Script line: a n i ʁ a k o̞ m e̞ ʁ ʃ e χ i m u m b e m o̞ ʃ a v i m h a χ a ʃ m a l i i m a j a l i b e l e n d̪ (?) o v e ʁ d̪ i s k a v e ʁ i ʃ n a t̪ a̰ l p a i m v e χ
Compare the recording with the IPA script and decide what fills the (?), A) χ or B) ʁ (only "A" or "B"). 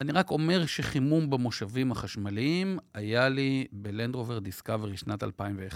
B